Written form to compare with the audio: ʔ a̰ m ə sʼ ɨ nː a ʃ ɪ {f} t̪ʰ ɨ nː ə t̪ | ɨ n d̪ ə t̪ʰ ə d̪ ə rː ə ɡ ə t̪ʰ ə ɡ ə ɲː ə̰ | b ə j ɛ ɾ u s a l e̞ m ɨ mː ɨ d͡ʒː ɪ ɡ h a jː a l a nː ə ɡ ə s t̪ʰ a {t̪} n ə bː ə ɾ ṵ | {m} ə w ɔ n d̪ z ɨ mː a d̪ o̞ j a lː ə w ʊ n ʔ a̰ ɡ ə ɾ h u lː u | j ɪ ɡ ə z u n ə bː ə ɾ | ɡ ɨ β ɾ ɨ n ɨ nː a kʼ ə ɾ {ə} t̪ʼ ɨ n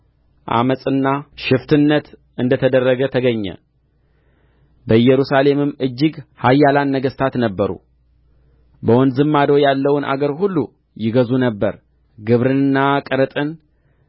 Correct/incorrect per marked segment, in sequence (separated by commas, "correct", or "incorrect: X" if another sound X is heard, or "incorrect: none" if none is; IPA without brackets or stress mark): correct, correct, incorrect: b, correct